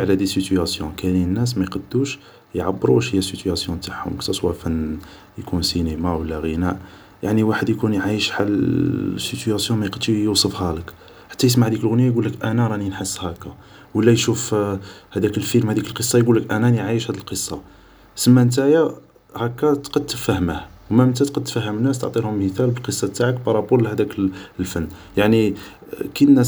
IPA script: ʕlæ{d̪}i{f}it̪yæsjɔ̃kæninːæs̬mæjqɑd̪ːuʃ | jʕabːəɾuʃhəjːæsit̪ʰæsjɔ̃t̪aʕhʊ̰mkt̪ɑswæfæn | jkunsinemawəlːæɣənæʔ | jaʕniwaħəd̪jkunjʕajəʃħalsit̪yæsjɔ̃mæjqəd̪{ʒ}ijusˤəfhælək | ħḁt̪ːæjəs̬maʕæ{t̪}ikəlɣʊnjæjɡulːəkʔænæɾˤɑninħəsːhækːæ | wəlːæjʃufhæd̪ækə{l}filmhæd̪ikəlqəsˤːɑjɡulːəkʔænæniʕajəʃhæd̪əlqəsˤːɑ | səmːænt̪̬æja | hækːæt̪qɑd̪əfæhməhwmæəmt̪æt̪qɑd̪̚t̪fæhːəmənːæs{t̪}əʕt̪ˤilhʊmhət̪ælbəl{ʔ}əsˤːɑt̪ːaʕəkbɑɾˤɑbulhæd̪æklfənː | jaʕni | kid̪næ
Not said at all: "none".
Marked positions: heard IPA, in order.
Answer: d̪, s, ʃ, d̪, l, t̪, q

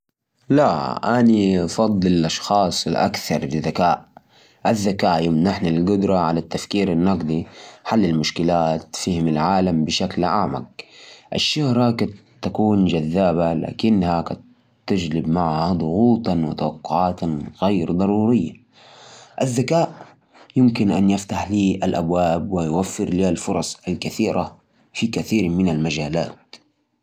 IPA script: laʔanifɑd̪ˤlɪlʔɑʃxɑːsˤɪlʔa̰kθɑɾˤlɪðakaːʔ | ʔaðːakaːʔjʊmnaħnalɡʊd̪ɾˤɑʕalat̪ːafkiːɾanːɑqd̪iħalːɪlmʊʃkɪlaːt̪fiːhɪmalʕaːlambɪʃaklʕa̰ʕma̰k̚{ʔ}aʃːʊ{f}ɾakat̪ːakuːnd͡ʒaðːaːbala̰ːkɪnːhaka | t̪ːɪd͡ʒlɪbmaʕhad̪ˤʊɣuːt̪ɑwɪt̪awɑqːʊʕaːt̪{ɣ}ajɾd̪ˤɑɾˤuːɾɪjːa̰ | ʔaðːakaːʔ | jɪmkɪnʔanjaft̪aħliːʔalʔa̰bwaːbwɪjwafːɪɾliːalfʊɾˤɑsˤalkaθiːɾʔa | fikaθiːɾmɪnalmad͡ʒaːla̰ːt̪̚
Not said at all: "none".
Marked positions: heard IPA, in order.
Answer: ʔ, h, ɣ

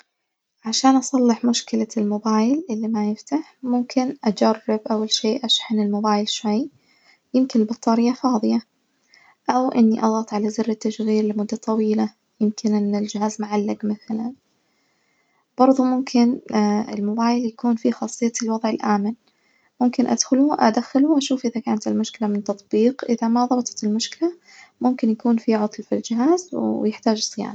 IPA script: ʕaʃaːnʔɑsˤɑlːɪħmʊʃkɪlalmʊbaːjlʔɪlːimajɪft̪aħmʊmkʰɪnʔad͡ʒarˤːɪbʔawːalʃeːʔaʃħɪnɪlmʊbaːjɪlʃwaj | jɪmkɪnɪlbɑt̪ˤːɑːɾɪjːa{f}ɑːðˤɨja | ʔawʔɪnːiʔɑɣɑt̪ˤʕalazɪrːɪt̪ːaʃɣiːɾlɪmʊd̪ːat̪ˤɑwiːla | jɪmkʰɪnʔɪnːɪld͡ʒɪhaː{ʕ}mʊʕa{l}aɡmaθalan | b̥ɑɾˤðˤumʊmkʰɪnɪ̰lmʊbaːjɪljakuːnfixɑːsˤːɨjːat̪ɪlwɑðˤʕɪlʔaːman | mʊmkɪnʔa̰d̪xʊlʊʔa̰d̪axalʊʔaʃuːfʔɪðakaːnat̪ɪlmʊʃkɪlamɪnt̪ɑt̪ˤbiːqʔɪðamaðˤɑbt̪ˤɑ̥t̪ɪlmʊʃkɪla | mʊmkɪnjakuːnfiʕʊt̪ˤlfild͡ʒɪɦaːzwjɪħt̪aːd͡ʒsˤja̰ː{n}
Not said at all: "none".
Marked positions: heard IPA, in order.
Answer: f, z, lː, n

